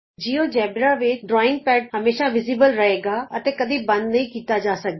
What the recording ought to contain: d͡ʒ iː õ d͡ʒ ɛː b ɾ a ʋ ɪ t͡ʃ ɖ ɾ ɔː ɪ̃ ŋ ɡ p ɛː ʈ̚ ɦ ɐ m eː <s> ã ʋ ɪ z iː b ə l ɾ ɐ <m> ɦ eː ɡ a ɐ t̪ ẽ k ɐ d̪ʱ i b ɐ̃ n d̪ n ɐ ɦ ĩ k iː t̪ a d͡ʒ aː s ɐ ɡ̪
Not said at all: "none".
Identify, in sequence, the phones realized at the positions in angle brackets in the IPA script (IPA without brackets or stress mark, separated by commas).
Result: ʃ, none